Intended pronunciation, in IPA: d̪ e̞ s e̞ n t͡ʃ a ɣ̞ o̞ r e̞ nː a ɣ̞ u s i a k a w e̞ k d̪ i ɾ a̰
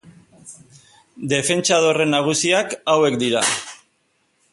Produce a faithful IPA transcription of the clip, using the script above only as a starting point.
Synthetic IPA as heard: d̪ e̞ f e̞ n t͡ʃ a ð̞ o̞ r e̞ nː a ɣ̞ u s i a k a w e̞ k d̪ i ɾ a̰